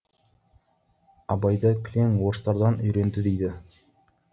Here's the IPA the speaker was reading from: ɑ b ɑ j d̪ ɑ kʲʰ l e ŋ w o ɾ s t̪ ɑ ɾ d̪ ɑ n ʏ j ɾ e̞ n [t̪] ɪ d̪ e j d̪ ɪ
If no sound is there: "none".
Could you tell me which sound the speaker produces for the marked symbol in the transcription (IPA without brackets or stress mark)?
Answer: d̪